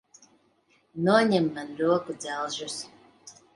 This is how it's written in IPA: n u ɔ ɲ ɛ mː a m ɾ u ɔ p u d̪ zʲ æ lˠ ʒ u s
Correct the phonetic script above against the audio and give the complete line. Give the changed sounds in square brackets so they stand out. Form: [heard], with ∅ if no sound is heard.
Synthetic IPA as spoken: n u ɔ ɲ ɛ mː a [n] ɾ u ɔ [k] u d̪ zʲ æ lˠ ʒ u s

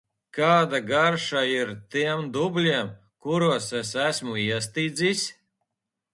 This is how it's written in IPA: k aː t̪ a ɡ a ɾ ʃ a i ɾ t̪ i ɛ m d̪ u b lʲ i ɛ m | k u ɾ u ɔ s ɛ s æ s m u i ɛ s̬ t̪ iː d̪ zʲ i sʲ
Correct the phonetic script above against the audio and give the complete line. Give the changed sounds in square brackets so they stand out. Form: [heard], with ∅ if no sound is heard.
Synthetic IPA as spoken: k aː [d̪] a ɡ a ɾ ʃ a i ɾ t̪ i ɛ m d̪ u b lʲ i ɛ m | k u ɾ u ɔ s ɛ s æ s m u i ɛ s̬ t̪ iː d̪ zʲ i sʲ

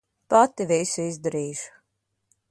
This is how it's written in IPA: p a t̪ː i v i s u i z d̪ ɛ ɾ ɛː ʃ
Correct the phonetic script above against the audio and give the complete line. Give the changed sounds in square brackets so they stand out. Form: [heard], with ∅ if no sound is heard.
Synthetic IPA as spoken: p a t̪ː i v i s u i z d̪ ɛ ɾ [iː] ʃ

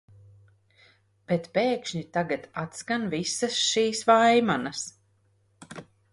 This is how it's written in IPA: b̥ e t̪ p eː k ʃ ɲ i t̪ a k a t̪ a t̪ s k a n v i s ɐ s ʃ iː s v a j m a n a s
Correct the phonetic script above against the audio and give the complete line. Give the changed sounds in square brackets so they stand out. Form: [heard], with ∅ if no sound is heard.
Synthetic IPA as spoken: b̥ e t̪ p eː k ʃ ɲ i t̪ a [ɡ] a t̪ a t̪ s k a n v i s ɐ s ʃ iː s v a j m a n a s

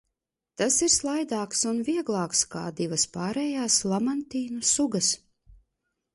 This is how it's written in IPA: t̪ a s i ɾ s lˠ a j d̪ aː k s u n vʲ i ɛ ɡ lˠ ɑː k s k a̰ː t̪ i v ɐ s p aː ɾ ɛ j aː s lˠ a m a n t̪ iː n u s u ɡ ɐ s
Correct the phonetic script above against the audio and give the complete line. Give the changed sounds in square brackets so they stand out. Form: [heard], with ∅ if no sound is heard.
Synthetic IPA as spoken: t̪ a s i ɾ s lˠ a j d̪ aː k s u n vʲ i ɛ ɡ lˠ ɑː k s k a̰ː [d̪] i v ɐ s p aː ɾ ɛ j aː s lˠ a m a n t̪ iː n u s u ɡ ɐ s

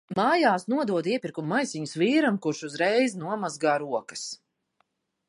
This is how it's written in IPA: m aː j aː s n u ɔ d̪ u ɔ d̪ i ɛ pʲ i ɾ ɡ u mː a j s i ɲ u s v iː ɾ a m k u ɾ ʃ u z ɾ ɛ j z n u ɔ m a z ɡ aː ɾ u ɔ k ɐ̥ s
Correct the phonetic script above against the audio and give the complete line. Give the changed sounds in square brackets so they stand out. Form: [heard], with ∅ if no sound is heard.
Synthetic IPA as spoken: m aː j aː s n u ɔ d̪ u ɔ d̪ i ɛ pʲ i ɾ [k] u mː a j s i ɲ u s v iː ɾ a m k u ɾ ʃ u z ɾ ɛ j z n u ɔ m a z ɡ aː ɾ u ɔ k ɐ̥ s

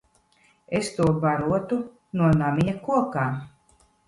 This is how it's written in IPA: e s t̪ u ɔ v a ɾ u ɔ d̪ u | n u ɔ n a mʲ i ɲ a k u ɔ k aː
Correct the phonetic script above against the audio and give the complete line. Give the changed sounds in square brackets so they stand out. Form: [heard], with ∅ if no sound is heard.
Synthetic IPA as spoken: e s t̪ u ɔ [b] a ɾ u ɔ [t̪] u | n u ɔ n a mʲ i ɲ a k u ɔ k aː

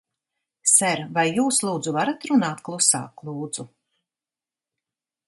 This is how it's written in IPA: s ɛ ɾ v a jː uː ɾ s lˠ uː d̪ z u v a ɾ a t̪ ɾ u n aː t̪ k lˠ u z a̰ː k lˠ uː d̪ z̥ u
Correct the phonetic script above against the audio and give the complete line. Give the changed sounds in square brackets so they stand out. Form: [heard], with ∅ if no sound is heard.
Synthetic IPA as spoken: s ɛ ɾ v a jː uː [∅] s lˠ uː d̪ z u v a ɾ a t̪ ɾ u n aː t̪ k lˠ u [s] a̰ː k lˠ uː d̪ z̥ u

